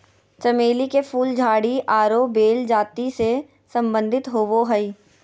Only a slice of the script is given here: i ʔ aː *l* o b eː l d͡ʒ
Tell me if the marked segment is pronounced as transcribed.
no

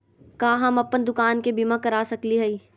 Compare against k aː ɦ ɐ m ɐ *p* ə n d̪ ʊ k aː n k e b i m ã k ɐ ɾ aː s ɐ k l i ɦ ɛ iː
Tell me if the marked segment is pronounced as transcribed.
yes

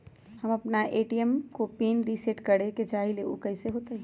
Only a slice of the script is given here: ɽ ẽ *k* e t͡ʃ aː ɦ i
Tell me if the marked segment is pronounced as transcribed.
yes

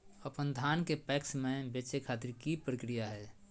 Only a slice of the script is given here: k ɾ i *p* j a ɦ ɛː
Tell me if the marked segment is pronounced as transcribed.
no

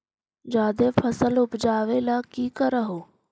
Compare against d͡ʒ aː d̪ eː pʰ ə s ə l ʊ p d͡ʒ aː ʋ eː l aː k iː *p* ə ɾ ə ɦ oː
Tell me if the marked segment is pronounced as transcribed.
no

